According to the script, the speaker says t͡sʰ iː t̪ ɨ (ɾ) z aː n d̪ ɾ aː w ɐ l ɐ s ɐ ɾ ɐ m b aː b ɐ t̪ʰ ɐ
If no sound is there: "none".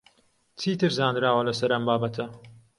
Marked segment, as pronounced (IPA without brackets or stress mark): ɾ